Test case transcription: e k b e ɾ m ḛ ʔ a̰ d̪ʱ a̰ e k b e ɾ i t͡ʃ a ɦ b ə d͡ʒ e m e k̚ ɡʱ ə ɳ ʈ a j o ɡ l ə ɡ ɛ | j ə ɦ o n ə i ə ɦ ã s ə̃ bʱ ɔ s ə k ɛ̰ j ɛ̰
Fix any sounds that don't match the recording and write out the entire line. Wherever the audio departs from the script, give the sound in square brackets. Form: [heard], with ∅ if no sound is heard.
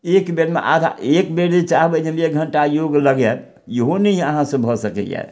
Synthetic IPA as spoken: e k b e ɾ m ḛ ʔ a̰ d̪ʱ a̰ e k b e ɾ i t͡ʃ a ɦ b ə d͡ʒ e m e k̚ ɡʱ ə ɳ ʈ a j o ɡ l ə ɡ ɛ | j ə ɦ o n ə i ə ɦ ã s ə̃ bʱ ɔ s ə k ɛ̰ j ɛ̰